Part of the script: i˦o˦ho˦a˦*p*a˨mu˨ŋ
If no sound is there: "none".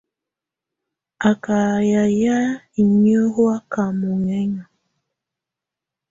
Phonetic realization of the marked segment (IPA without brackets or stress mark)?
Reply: k